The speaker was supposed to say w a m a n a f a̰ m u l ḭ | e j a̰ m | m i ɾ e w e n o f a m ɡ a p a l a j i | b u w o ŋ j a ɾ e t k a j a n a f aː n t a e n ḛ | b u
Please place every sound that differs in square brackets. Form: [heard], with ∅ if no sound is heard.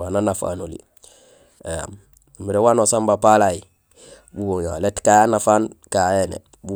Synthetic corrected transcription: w a [n] a n a f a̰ [n] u l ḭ | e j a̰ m | m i ɾ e w [a] n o [s] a m [b] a p a l a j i | b u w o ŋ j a [l] e t k a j a n a f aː n [k] a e n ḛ | b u